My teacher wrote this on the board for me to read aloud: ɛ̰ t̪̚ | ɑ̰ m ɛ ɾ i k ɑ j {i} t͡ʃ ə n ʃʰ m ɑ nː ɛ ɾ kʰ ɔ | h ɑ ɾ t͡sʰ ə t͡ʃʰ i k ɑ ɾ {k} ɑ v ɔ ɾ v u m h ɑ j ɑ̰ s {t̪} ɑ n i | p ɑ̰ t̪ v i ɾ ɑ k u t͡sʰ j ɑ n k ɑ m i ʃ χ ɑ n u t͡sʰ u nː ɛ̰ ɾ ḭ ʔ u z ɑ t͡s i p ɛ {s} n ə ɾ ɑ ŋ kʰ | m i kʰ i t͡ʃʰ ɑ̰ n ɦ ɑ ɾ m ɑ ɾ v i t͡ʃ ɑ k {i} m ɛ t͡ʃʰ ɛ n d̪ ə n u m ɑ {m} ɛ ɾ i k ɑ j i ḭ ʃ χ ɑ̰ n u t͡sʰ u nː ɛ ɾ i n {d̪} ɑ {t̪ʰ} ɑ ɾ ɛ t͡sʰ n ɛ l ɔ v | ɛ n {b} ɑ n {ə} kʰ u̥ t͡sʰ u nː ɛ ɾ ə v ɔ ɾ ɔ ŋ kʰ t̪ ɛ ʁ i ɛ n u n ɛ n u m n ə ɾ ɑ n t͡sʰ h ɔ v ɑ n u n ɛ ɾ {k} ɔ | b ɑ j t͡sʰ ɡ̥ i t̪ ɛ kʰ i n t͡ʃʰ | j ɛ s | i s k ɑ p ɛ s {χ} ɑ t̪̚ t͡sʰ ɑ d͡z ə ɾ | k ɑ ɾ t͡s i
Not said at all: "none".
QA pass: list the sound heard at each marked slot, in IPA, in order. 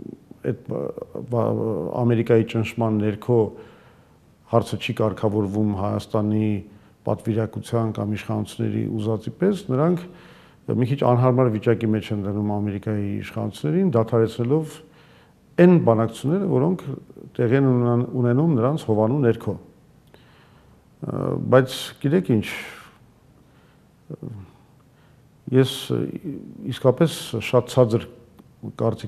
i, kʰ, t̪, s, i, m, d̪, t̪ʰ, b, ɑ, kʰ, ʃ

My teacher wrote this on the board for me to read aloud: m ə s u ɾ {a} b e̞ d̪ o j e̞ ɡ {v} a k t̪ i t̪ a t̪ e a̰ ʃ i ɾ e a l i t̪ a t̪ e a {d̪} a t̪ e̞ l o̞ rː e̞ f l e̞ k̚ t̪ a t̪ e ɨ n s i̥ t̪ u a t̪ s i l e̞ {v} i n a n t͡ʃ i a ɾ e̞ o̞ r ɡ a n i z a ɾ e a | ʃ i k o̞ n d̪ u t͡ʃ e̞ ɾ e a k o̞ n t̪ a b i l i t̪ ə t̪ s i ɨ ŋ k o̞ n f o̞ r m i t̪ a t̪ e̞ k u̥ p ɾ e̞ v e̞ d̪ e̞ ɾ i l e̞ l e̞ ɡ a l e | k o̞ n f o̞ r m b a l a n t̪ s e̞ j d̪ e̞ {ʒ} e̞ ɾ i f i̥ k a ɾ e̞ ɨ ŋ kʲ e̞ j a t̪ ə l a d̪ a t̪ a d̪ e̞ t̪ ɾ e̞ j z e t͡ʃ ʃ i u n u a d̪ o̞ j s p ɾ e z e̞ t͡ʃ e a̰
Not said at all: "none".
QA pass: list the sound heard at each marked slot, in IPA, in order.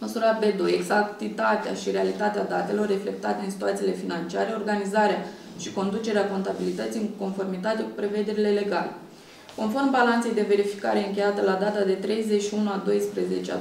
a, z, d̪, f, v

